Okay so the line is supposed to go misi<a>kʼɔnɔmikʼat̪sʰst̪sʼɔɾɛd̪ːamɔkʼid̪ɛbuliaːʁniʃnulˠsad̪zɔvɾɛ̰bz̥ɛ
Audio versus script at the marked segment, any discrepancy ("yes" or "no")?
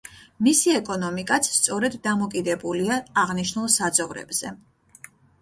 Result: yes